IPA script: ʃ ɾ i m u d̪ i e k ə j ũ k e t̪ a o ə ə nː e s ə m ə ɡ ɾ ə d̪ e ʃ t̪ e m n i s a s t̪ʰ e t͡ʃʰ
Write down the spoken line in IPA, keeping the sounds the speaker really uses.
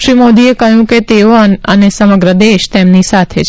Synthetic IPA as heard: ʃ ɾ i m o d̪ i e k ə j ũ k e t̪ e o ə ə n e s ə m ə ɡ ɾ ə d̪ e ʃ t̪ e m n i s a t̪ʰ e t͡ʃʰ